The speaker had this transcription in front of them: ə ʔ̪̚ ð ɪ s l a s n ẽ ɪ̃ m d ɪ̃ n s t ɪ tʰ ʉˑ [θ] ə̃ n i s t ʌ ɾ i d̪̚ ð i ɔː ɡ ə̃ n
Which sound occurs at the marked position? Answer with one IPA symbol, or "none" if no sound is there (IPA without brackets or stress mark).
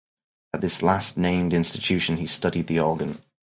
ʃ